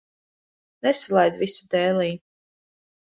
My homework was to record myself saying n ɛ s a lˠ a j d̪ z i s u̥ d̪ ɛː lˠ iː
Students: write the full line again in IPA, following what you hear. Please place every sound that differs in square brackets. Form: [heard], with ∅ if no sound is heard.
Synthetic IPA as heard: n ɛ s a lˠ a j d̪ [v] i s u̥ d̪ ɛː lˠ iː